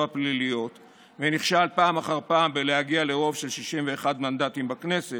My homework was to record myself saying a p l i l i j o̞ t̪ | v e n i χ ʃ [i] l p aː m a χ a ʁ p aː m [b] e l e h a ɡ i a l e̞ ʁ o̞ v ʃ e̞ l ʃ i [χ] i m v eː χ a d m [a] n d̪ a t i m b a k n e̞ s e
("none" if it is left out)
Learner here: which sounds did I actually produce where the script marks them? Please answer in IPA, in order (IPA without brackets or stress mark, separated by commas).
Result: a, b, ʃ, a